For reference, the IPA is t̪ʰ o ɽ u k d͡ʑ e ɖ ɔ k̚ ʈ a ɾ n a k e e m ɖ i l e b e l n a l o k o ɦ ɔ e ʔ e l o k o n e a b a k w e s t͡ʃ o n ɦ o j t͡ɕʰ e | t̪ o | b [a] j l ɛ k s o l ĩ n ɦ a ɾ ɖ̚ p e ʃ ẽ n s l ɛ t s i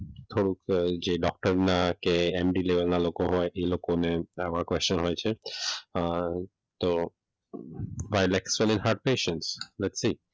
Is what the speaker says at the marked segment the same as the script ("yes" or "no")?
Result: yes